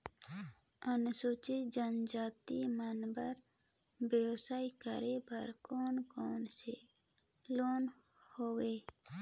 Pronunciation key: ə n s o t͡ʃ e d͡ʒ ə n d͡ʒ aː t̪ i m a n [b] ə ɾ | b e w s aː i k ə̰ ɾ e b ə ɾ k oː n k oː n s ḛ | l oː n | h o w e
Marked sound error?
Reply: no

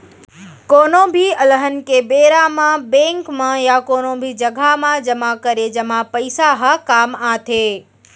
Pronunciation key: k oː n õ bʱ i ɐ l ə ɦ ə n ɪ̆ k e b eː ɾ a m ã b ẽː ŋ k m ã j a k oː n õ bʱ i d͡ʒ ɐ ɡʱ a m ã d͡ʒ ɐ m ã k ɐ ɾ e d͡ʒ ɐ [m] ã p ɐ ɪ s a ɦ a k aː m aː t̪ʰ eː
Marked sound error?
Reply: no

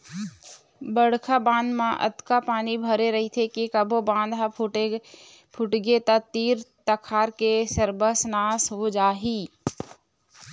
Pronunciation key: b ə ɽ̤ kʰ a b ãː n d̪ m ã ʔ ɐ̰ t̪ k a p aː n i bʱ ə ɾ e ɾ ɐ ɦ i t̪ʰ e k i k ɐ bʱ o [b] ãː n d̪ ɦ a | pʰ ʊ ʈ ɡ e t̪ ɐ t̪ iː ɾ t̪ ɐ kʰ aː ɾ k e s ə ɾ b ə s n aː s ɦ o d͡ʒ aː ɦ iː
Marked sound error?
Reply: no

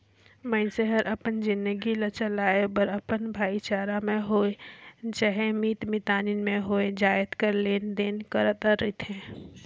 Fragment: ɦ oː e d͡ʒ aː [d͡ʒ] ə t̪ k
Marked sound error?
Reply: yes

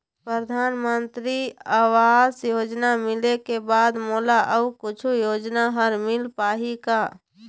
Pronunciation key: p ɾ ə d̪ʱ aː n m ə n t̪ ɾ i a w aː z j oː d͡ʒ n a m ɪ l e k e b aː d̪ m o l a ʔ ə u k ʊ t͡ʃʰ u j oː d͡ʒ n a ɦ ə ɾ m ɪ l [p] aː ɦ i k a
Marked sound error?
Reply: no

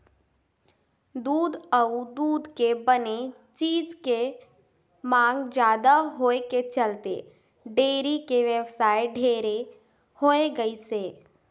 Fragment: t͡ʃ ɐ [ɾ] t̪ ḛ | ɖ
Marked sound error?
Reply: yes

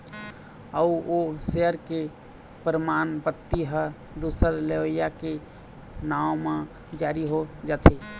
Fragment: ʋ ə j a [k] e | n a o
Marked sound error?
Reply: no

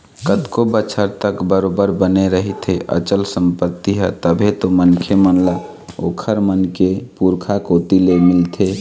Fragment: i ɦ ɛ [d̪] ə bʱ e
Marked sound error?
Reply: yes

